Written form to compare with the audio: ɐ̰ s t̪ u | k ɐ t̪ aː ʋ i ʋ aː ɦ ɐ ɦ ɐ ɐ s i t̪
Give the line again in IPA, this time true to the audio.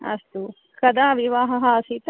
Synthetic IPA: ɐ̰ s t̪ u | k ɐ d̪ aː ʋ i ʋ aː ɦ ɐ ɦ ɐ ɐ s i t̪